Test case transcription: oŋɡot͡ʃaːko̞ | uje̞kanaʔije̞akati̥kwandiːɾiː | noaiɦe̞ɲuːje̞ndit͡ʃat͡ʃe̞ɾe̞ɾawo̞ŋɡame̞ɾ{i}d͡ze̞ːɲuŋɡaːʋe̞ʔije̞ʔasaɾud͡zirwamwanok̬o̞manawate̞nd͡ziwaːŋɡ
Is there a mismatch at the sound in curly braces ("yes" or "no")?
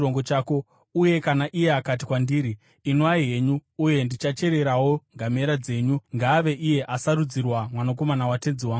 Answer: yes